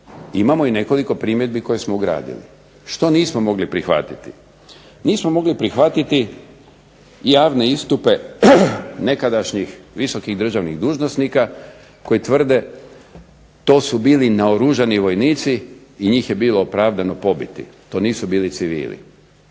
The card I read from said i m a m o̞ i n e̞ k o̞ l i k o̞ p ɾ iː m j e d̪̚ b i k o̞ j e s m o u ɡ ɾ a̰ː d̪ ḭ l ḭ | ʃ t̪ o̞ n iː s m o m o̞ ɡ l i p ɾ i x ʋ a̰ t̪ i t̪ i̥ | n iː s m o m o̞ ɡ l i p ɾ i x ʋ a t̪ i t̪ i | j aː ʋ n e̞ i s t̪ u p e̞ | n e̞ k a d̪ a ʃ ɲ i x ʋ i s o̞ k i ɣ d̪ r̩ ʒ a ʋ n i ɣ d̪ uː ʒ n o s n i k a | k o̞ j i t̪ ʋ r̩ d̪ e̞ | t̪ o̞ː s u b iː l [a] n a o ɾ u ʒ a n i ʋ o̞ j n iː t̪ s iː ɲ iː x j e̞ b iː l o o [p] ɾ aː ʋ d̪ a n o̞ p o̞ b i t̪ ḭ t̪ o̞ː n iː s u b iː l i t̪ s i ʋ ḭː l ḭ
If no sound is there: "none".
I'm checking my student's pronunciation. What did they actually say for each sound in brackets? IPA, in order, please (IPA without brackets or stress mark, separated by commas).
i, p